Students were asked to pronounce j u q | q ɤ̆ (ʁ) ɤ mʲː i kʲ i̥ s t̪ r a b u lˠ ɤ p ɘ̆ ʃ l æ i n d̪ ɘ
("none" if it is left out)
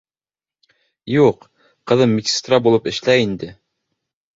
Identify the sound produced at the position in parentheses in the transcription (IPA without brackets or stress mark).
ð